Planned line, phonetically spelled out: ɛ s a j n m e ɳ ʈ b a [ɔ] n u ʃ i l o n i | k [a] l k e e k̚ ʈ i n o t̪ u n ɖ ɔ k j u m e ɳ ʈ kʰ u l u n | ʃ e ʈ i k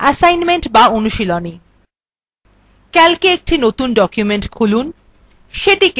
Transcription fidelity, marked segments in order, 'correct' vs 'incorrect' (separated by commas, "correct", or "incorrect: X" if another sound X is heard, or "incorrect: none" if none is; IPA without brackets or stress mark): incorrect: o, incorrect: ɛ